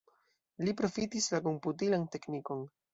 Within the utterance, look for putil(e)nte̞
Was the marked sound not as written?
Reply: yes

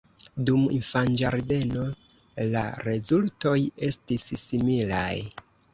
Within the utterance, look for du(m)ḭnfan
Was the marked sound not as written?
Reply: no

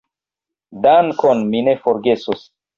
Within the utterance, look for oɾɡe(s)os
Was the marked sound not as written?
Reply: no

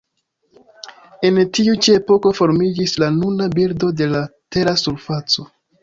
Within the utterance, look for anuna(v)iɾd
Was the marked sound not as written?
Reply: yes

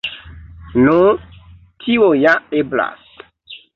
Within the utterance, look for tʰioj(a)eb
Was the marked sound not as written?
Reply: no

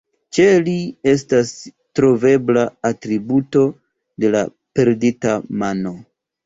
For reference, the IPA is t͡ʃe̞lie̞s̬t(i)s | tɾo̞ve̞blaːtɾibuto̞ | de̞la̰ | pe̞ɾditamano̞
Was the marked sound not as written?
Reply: yes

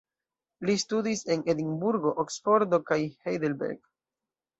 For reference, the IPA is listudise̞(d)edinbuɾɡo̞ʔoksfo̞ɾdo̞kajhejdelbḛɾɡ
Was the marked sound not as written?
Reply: yes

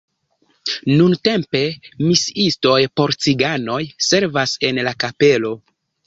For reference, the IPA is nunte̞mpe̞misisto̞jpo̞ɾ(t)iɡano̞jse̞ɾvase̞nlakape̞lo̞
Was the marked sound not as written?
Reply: yes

